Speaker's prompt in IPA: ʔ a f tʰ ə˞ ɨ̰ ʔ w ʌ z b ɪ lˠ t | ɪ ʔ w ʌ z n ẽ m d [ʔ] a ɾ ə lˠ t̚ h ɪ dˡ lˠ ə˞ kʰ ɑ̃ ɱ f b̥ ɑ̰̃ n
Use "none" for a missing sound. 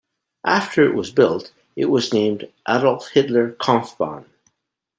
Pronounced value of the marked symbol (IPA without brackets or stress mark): ʔ